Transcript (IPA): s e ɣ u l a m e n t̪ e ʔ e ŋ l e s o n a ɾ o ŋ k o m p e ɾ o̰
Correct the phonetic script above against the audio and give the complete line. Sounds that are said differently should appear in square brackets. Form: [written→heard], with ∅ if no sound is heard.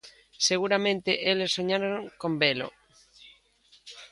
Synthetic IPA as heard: s e ɣ u [l→ɾ] a m [e→ẽ] n t̪ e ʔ e [ŋ→∅] l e s o [n→ɲ] a ɾ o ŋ k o m [p→b] e [ɾ→l] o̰